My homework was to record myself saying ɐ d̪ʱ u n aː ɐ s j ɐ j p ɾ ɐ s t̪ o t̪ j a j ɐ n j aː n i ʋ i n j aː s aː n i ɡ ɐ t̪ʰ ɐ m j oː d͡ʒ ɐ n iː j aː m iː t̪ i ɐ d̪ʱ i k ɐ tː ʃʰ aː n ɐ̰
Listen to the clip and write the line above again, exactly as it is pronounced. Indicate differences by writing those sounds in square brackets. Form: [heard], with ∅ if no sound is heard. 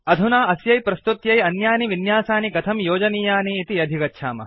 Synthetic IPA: ɐ d̪ʱ u n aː ɐ s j ɐ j p ɾ ɐ s t̪ [u] t̪ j [ɐ] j ɐ n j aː n i ʋ i n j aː s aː n i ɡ ɐ t̪ʰ ɐ m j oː d͡ʒ ɐ n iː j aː [n] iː t̪ i ɐ d̪ʱ i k ɐ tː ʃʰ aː [m] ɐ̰